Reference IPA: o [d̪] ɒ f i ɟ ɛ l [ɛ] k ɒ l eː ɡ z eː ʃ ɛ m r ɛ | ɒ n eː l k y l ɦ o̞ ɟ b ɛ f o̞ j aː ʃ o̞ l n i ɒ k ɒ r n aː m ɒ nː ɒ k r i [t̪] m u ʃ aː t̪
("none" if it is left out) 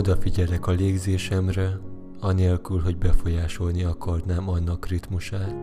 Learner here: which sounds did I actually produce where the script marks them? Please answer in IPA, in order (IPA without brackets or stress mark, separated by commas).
d̪, ɛ, t̪